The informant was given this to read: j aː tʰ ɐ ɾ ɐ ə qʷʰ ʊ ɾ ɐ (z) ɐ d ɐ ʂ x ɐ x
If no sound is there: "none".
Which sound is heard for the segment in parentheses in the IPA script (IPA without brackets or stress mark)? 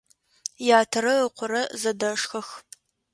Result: z